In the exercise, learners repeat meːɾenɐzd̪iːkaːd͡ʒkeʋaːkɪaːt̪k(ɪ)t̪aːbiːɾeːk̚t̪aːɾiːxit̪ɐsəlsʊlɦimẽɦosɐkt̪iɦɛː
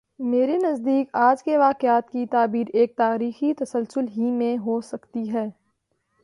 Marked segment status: incorrect: i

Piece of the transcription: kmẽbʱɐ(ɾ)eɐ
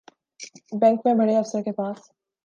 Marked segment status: incorrect: ɽ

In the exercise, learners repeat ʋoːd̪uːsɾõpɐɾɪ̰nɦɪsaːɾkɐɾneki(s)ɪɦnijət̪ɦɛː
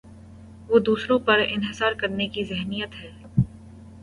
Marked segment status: incorrect: z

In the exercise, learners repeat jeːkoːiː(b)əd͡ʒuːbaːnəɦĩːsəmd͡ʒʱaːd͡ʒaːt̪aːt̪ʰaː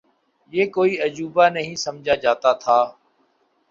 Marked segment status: incorrect: none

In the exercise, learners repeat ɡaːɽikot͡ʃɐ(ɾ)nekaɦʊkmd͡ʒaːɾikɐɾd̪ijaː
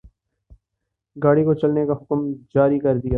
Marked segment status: incorrect: l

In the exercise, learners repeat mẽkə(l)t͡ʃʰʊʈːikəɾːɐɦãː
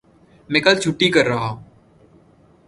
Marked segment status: correct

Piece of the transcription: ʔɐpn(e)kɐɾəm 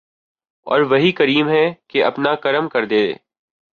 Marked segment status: incorrect: a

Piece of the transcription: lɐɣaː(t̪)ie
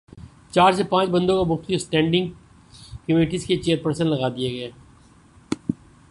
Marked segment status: incorrect: d̪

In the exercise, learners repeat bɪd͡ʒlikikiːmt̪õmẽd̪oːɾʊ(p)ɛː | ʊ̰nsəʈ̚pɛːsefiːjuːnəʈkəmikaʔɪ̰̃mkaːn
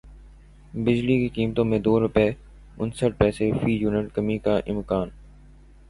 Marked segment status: correct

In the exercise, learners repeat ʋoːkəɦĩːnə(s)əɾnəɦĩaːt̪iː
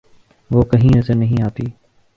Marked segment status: incorrect: z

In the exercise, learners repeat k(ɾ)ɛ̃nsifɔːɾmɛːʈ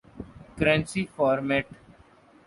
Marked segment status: correct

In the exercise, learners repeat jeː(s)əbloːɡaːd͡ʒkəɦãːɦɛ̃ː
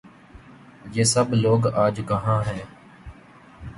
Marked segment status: correct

